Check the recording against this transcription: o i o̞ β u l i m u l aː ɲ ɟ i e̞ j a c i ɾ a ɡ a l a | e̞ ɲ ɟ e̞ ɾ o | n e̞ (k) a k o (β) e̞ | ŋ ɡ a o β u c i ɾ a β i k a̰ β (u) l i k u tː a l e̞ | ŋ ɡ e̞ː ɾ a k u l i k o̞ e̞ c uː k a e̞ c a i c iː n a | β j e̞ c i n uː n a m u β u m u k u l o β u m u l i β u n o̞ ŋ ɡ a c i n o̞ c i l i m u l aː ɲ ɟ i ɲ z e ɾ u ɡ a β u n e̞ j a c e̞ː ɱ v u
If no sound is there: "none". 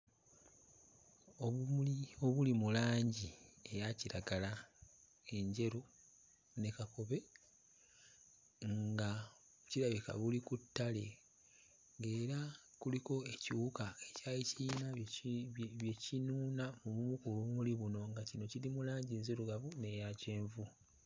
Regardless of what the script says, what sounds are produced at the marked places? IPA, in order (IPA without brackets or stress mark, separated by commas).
k, β, u